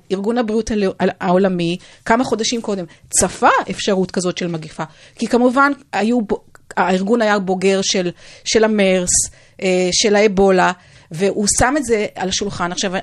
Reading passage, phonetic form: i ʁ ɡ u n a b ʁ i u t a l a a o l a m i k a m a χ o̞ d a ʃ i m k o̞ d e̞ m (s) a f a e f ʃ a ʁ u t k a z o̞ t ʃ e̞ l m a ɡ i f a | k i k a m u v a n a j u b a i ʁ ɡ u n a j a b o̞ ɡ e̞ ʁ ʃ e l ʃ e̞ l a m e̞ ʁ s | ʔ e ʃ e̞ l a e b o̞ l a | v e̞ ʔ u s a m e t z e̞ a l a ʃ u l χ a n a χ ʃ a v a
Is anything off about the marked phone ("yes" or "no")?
yes